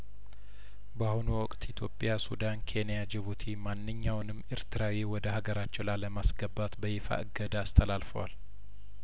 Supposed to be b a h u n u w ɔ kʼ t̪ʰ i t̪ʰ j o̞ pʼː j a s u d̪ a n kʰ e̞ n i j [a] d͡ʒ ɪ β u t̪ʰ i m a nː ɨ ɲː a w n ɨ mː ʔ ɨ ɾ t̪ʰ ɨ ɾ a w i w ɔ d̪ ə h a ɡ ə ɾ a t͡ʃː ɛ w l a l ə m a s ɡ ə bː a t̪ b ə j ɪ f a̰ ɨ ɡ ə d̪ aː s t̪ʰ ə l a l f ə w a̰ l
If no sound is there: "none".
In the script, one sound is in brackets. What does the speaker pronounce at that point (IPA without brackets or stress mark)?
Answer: a